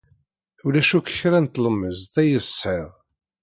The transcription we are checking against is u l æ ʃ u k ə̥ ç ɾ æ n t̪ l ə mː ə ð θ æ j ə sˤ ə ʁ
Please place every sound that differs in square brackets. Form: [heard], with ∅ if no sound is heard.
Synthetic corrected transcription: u l æ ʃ u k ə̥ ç ɾ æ n t̪ l ə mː ə [z] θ æ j ə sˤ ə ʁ